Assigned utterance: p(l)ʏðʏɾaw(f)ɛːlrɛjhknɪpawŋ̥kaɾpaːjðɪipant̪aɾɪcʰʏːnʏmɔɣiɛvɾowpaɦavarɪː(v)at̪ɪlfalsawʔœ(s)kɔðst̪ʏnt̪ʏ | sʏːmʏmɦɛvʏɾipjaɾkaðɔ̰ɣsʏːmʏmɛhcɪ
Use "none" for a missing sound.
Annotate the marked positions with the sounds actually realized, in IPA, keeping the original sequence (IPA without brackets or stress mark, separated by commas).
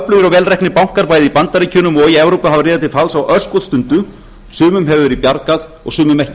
l, v, ð, s